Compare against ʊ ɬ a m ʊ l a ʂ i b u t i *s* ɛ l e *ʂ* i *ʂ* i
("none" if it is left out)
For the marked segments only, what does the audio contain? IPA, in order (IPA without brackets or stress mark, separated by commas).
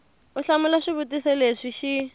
s, ʂ, ʃ